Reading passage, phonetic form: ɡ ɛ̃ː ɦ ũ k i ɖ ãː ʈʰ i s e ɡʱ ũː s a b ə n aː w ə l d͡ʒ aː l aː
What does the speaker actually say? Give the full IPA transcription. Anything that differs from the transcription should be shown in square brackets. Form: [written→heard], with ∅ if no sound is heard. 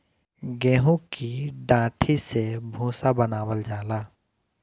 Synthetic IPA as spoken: ɡ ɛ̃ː ɦ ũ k i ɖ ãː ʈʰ i s e [ɡʱ→bʱ] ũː s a b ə n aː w ə l d͡ʒ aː l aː